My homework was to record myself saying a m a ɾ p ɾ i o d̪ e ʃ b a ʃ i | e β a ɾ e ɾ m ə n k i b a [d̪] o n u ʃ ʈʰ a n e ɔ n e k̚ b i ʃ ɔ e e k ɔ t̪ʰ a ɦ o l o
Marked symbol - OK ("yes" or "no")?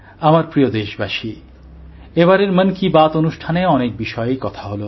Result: no